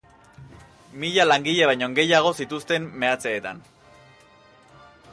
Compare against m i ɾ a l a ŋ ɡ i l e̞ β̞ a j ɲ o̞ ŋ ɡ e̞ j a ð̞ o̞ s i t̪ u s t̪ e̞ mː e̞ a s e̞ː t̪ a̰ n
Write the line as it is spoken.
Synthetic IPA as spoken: m i ʎ a l a ŋ ɡ i ʎ e̞ β̞ a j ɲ o̞ ŋ ɡ e̞ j a ɣ̞ o̞ s i t̪ u s t̪ e̞ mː e̞ a t͡s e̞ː t̪ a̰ n